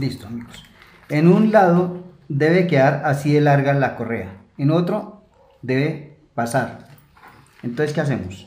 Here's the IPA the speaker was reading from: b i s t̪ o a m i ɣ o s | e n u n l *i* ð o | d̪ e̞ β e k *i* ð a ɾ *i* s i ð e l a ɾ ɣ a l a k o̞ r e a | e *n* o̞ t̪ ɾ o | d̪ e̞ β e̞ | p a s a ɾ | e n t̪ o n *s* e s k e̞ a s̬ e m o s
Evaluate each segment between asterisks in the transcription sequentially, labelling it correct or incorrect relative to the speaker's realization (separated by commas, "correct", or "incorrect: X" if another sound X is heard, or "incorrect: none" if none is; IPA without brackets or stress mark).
incorrect: a, incorrect: e, incorrect: a, correct, correct